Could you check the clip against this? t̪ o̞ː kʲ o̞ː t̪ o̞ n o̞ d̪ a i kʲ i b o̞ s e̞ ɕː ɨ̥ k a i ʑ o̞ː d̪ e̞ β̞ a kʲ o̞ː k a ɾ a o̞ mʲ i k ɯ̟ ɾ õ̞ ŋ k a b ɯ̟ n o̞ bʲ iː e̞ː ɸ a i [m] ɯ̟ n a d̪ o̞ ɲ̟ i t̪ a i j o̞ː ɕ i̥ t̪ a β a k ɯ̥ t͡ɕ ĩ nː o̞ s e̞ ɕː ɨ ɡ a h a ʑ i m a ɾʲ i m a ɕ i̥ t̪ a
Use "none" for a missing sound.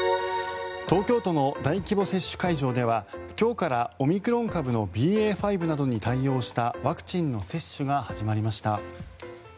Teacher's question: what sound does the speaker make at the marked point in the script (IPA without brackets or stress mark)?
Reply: b